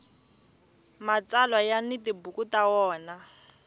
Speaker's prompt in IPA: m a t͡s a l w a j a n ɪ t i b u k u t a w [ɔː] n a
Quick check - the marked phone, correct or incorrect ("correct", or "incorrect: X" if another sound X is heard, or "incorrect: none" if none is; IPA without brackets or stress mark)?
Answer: correct